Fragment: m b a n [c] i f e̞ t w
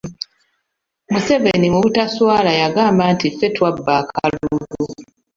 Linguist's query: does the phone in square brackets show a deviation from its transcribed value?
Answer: yes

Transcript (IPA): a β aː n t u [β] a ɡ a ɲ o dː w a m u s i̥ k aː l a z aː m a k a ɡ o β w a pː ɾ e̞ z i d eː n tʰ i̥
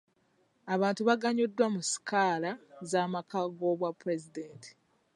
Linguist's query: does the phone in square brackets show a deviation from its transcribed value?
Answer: no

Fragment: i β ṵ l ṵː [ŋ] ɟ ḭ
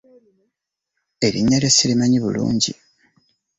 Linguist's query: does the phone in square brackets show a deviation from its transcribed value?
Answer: yes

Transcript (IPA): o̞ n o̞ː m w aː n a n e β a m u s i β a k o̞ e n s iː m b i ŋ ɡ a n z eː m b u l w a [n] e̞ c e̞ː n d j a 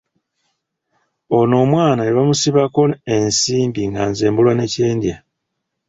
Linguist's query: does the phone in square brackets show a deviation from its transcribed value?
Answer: no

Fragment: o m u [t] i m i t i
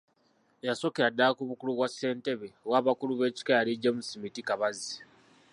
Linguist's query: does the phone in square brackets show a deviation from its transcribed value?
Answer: yes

